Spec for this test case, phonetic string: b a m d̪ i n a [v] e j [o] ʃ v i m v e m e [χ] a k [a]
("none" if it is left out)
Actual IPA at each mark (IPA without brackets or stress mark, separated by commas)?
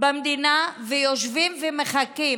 v, o, χ, i